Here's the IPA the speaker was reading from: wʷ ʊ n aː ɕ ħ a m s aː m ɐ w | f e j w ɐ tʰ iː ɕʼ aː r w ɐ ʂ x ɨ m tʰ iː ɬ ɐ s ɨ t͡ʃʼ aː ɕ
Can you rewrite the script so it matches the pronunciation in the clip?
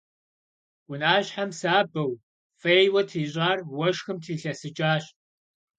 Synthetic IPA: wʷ ʊ n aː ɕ ħ a m s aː b ɐ w | f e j w ɐ tʰ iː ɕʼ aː r w ɐ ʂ x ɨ m tʰ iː ɬ ɐ s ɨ t͡ʃʼ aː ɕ